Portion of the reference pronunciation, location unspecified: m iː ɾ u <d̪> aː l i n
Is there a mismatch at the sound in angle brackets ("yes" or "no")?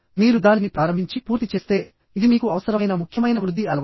no